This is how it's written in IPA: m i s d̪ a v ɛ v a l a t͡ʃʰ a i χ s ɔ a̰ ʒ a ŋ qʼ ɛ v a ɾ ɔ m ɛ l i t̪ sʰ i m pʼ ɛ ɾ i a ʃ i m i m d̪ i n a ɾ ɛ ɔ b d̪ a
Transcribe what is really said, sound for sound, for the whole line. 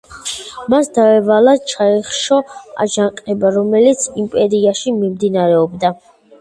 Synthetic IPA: m a s d̪ a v ɛ v a l a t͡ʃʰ a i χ ʃ ɔ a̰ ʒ a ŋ qʼ ɛ b a ɾ ɔ m ɛ l i t̪ sʰ i m pʼ ɛ ɾ i a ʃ i m i m d̪ i n a ɾ ɛ ɔ b d̪ a